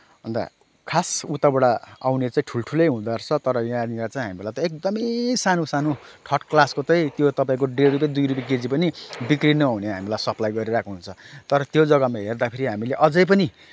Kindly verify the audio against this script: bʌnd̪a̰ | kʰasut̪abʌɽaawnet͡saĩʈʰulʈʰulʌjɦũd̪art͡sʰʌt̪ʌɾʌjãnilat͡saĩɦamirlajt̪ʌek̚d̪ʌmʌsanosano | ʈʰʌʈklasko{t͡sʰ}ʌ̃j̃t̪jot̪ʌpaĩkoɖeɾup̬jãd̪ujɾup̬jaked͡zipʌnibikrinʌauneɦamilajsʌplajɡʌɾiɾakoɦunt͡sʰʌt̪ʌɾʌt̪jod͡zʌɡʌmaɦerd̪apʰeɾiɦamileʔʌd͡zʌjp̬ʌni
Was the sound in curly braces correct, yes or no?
no